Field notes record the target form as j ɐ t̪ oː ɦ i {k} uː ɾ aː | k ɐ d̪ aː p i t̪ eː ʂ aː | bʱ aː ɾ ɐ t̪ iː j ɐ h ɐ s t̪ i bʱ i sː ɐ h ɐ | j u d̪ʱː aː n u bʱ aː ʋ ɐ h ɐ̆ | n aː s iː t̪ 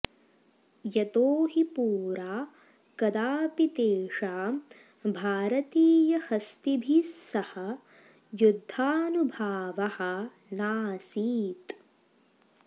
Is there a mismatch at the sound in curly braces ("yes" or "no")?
yes